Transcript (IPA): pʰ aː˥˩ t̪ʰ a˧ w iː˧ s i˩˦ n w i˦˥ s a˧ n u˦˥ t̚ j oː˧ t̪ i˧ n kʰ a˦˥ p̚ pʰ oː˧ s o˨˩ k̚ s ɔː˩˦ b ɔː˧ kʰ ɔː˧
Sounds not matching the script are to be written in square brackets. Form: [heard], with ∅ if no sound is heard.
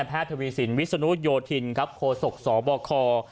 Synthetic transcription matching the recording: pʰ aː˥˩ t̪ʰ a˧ w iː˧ s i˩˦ n w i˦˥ s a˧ n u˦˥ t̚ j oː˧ [t̪ʰ] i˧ n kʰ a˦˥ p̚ [kʰ] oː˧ s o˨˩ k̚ s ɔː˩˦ b ɔː˧ kʰ ɔː˧